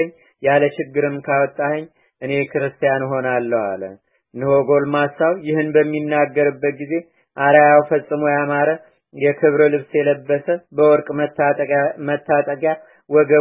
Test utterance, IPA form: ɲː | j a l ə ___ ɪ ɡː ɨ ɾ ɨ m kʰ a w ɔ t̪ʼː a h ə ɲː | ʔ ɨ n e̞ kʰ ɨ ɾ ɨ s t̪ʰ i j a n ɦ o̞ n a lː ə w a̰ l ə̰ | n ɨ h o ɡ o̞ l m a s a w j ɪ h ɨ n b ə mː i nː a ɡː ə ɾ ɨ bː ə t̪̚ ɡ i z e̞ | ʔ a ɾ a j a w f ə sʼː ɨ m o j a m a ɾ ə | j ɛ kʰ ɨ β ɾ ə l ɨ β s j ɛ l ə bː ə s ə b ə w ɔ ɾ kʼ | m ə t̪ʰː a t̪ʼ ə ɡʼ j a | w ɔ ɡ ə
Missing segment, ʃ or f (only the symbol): ʃ